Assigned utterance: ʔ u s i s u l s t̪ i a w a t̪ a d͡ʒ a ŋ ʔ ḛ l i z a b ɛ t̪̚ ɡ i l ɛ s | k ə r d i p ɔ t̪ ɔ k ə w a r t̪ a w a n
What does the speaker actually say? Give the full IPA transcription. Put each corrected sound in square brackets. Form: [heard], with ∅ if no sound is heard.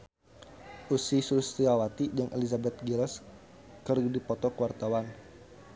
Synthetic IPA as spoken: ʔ u s i s u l s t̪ i a w a t̪ [i] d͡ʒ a ŋ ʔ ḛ l i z a b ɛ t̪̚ ɡ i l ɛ s | k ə r d i p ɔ t̪ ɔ k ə w a r t̪ a w a n